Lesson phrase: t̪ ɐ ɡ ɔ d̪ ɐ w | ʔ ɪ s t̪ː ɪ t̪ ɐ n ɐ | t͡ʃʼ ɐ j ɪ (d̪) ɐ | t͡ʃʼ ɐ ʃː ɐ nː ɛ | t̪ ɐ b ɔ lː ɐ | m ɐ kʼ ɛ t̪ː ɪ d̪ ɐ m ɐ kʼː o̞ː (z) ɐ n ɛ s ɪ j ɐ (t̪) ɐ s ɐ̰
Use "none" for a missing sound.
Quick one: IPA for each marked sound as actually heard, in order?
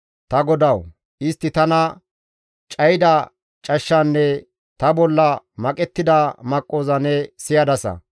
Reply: d̪, z, d̪

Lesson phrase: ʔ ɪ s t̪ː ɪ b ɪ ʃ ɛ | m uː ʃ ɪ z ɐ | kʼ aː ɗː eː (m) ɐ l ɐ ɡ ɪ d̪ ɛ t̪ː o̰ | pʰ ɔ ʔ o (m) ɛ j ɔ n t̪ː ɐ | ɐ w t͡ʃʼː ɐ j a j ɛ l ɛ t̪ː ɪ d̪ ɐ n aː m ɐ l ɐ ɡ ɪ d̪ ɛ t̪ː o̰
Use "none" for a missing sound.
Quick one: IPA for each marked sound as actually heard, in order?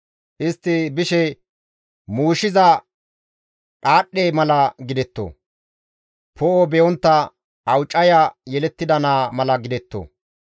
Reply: m, b

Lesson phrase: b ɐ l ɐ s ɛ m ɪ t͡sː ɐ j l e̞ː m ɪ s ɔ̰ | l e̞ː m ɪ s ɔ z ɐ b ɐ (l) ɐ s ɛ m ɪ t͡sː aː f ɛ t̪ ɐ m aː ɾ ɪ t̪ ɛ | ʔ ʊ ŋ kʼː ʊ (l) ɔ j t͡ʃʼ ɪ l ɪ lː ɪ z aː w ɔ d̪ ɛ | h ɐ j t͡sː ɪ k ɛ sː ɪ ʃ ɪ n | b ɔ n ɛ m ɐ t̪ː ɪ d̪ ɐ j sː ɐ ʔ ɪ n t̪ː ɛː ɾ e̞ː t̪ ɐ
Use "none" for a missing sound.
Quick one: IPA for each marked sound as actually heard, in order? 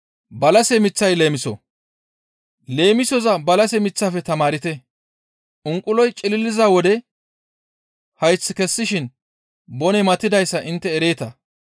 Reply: l, l

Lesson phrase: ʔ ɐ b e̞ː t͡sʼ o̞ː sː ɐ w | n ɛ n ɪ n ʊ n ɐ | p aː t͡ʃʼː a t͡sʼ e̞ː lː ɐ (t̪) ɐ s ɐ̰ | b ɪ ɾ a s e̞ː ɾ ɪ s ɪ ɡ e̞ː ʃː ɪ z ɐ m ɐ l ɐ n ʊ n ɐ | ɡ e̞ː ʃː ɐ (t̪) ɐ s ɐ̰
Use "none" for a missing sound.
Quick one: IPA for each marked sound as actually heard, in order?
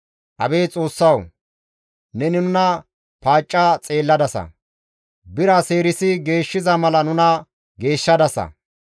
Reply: d̪, d̪

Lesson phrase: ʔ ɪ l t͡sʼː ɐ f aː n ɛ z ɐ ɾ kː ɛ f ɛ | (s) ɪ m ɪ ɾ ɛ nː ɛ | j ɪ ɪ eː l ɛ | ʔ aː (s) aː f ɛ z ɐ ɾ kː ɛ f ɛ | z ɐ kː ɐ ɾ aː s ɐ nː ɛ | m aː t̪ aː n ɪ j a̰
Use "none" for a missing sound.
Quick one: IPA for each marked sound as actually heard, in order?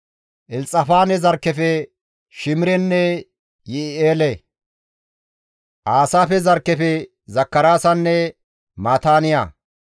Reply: ʃ, s

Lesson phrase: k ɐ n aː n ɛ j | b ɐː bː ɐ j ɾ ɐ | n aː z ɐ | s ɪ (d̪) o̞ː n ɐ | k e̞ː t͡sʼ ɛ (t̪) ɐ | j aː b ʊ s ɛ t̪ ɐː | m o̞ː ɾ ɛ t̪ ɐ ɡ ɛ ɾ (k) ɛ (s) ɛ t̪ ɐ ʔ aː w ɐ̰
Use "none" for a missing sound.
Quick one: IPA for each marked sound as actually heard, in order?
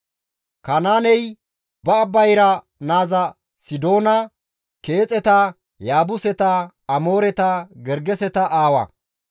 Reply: d̪, t̪, ɡ, s

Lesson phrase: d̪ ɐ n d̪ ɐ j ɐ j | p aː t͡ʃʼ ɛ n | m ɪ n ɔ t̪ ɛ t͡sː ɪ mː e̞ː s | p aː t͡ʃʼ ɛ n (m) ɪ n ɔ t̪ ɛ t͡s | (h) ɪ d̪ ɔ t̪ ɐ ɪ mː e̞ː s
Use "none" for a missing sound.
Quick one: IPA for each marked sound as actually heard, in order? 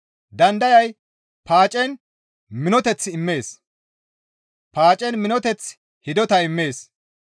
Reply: m, h

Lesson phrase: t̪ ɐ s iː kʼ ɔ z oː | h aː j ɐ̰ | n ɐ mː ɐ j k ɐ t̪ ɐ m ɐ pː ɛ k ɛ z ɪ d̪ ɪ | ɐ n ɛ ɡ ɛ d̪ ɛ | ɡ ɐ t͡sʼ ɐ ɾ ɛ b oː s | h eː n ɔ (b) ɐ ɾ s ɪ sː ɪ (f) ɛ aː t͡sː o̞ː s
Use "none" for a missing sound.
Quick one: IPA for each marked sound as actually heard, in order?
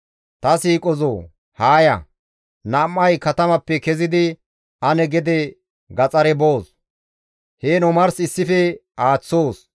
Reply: m, f

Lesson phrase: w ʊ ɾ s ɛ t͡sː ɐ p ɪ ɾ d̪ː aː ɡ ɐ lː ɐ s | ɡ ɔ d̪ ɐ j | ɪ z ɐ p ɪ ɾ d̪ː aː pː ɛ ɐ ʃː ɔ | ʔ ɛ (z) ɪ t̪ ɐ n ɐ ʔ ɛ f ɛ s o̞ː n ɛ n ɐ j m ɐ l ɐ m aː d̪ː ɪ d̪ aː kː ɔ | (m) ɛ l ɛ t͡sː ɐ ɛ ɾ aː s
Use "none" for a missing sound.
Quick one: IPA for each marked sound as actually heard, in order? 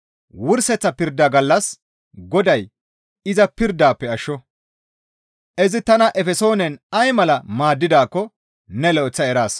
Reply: z, n

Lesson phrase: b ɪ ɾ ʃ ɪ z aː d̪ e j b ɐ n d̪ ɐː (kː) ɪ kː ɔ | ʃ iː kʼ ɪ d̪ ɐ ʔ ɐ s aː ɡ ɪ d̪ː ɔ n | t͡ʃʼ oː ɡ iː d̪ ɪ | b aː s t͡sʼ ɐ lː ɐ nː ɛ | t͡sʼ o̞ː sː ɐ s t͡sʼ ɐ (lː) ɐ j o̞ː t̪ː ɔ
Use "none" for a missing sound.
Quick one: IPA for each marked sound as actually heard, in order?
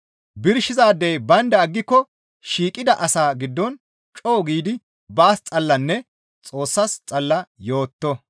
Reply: ɡː, lː

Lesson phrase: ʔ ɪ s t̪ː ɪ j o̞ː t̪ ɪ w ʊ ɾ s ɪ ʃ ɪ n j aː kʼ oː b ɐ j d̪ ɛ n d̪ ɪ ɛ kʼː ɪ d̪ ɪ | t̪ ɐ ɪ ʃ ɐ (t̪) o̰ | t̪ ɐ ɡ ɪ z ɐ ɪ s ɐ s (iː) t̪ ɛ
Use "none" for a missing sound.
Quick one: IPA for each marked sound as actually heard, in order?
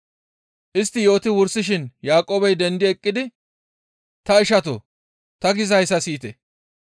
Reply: t̪, iː

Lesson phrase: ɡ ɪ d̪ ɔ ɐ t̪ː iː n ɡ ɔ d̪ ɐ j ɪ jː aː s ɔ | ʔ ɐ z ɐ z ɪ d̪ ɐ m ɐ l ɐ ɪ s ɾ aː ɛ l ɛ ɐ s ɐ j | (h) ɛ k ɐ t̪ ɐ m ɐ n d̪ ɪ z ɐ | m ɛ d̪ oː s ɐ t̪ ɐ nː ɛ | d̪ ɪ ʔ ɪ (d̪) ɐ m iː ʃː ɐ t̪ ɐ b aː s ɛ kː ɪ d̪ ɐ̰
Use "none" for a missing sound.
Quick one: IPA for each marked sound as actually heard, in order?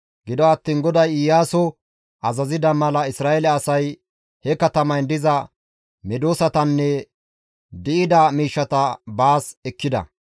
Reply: h, d̪

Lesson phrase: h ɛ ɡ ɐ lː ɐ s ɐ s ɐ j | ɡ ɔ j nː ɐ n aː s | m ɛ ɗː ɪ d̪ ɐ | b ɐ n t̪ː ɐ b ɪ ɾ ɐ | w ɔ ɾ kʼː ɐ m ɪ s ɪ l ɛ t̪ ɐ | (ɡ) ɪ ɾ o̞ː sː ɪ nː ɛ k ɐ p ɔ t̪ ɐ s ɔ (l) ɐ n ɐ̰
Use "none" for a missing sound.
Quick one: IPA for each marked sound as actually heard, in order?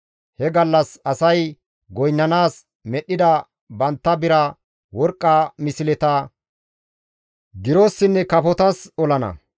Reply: ɡ, l

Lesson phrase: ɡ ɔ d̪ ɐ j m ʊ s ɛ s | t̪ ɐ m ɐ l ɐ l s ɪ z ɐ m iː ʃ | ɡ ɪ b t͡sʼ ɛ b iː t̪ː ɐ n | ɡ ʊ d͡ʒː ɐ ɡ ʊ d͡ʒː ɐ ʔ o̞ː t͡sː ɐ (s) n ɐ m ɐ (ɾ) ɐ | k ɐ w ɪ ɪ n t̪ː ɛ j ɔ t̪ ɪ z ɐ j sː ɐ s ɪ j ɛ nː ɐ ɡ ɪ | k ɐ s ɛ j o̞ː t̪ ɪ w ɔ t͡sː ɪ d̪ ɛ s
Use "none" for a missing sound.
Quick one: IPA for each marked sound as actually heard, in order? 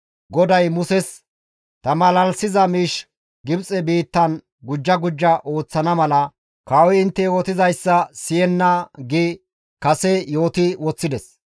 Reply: none, l

